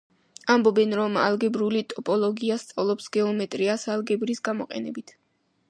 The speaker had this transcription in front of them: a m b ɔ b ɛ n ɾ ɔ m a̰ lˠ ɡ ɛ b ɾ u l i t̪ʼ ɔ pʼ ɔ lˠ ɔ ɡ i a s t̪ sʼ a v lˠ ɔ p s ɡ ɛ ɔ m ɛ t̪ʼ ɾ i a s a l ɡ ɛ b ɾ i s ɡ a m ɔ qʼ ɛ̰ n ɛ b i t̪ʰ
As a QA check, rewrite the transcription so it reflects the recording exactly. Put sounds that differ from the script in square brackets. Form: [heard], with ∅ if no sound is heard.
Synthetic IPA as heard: a m b ɔ b ɛ n ɾ ɔ m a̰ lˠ ɡ ɛ b ɾ u l i t̪ʼ ɔ pʼ ɔ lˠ ɔ ɡ i a s t̪ sʼ a v lˠ ɔ p s ɡ ɛ ɔ m ɛ t̪ʼ ɾ i a s a l ɡ ɛ b ɾ i s ɡ a m ɔ qʼ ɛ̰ n ɛ b i t̪ʰ